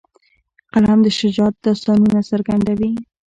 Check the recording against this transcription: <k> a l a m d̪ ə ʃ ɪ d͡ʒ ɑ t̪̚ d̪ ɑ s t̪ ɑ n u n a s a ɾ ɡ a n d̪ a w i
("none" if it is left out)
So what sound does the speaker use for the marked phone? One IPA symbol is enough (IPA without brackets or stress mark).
q